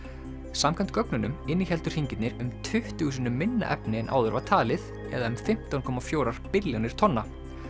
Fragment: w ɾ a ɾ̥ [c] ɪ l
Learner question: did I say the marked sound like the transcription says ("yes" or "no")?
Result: no